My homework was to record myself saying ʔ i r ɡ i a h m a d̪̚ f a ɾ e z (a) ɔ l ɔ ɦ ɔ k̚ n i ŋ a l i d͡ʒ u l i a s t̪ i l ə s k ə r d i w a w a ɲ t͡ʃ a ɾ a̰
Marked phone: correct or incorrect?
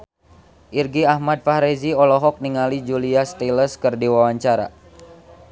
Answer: incorrect